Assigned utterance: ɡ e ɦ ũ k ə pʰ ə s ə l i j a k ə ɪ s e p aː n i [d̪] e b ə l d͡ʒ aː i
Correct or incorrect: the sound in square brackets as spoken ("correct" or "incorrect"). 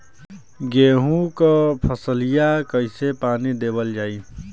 correct